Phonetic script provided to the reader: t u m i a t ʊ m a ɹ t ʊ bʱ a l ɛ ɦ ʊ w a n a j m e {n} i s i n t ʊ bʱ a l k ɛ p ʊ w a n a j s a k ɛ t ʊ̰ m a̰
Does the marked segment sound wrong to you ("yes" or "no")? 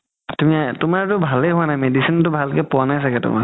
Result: yes